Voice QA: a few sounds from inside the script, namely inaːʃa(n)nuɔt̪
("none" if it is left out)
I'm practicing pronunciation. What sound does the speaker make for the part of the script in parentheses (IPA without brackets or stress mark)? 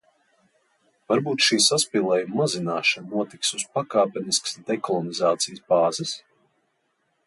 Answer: n